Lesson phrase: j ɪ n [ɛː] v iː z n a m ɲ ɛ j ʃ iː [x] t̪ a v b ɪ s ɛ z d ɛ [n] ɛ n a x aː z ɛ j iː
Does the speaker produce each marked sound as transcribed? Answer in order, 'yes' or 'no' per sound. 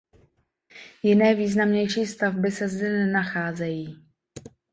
yes, no, yes

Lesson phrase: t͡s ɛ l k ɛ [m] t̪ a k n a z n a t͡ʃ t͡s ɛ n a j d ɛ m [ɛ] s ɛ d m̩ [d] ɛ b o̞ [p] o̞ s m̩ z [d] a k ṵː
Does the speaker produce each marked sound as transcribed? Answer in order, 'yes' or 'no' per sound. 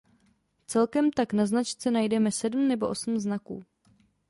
yes, yes, no, no, no

